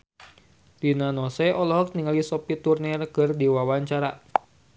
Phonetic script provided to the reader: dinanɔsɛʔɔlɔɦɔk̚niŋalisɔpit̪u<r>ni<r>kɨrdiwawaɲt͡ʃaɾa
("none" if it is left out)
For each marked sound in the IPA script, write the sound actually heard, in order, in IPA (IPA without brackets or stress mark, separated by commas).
r, r